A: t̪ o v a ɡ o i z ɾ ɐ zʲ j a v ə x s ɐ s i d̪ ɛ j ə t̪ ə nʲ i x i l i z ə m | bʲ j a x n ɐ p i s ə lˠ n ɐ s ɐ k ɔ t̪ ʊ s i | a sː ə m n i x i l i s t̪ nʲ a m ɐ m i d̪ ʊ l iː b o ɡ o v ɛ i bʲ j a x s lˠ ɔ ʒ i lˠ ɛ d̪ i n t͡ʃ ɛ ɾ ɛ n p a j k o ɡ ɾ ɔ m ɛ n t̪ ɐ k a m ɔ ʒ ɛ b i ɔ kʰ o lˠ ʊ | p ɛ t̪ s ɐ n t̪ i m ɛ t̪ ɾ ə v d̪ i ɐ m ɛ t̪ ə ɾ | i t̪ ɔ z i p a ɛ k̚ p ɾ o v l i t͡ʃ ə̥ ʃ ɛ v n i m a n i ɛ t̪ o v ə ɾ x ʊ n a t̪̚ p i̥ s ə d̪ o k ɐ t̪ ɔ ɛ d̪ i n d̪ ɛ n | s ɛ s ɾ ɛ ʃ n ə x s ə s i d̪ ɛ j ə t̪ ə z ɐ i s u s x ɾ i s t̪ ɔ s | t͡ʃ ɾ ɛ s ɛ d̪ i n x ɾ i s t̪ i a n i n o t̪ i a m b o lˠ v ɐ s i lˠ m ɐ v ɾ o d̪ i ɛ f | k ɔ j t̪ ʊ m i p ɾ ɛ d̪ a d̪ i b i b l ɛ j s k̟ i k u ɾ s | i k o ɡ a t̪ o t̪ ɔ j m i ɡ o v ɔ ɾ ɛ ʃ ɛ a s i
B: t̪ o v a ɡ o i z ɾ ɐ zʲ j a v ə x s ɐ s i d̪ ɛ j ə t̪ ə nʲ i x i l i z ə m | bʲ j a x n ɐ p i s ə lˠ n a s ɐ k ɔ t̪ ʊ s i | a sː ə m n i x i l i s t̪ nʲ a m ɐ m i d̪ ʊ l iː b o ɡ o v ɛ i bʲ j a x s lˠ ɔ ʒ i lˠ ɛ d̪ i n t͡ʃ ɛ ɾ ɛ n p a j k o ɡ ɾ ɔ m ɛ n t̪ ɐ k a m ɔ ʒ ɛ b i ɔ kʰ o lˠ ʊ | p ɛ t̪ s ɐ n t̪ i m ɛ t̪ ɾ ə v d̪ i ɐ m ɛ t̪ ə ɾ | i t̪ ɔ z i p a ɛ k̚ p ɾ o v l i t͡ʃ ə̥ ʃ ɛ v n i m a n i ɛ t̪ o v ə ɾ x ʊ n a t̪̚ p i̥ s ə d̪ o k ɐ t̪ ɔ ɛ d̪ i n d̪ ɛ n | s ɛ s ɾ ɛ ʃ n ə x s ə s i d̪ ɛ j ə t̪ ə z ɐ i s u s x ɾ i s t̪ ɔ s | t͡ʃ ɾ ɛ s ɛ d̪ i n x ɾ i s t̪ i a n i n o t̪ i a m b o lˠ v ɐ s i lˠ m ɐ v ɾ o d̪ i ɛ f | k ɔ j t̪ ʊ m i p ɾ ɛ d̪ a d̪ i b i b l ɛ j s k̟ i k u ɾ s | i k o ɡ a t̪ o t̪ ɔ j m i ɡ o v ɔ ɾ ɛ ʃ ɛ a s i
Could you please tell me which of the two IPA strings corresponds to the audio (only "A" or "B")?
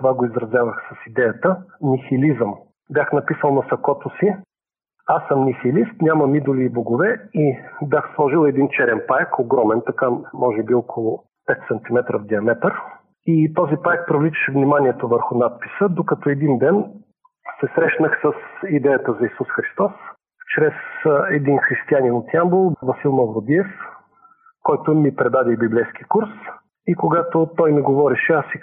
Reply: A